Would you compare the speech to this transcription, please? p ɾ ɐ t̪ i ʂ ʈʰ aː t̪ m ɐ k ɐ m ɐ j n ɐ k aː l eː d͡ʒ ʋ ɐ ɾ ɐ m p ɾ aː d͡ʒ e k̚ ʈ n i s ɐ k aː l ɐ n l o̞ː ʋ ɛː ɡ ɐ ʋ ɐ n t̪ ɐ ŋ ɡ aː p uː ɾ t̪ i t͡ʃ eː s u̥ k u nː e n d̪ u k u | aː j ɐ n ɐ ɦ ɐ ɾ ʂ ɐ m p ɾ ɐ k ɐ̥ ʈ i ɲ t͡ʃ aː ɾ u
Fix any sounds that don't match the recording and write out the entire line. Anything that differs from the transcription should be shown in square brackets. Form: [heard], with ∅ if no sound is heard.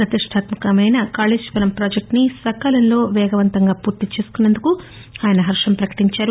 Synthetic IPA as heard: p ɾ ɐ t̪ i ʂ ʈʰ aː t̪ m ɐ k ɐ m ɐ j n ɐ k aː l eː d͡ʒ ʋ ɐ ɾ ɐ m p ɾ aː d͡ʒ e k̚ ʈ n i s ɐ k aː l ɐ n l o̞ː ʋ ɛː ɡ ɐ ʋ ɐ n t̪ ɐ ŋ ɡ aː p uː ɾ t̪ i t͡ʃ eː s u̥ k u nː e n d̪ u k u | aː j ɐ n ɐ ɦ ɐ ɾ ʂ ɐ m p ɾ ɐ k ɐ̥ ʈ i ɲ t͡ʃ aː ɾ u